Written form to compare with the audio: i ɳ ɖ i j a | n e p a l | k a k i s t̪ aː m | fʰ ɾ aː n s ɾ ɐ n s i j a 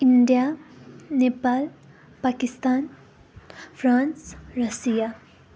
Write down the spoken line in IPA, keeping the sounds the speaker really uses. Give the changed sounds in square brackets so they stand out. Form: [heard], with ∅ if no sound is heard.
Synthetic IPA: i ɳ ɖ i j a | n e p a l | [p] a k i s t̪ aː [n] | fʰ ɾ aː n s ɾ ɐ [∅] s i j a